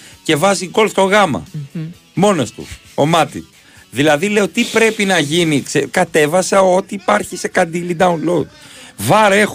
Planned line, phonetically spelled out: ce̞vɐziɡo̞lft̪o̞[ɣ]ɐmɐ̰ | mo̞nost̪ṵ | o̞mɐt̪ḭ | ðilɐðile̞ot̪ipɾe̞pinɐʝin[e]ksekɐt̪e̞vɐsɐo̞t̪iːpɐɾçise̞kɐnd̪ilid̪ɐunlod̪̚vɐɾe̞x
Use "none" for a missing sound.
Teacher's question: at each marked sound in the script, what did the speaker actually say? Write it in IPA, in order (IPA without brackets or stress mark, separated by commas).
ɣ, i